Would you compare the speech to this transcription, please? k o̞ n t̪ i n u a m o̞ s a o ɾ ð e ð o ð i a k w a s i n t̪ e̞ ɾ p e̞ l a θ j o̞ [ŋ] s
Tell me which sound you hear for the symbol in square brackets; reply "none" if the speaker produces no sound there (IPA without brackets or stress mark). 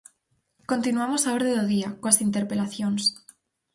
n